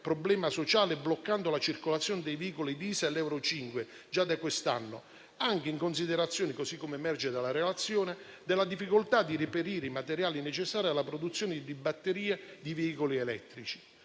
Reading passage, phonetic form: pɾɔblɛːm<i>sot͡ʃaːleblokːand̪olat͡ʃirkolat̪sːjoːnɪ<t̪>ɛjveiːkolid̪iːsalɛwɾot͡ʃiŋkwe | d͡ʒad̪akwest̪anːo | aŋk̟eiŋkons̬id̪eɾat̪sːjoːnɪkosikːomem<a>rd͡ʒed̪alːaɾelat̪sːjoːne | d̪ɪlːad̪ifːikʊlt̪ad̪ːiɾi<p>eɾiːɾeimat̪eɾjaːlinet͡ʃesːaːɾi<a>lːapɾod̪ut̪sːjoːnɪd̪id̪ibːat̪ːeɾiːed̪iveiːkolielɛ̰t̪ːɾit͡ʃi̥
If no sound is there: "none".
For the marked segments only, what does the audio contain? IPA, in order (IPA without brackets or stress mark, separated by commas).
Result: a, d̪, ɛ, p, a